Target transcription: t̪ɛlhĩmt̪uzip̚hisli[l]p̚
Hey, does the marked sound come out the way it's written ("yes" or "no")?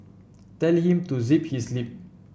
no